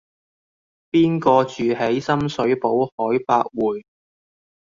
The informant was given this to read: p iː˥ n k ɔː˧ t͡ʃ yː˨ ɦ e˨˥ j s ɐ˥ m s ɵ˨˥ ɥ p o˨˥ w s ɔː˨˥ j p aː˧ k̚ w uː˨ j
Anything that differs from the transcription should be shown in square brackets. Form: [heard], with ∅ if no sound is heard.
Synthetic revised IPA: p iː˥ n k ɔː˧ t͡ʃ yː˨ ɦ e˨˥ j s ɐ˥ m s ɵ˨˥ ɥ p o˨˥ w [h] ɔː˨˥ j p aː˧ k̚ w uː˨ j